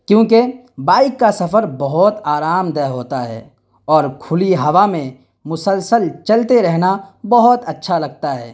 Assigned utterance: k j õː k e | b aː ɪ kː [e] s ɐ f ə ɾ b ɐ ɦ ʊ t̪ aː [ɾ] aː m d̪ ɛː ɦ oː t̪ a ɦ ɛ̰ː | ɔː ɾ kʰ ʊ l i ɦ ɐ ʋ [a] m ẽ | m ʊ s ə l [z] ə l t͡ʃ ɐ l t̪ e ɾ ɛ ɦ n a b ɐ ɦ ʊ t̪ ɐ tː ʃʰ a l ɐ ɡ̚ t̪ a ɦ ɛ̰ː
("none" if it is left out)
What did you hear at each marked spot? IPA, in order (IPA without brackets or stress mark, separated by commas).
a, ɾ, a, s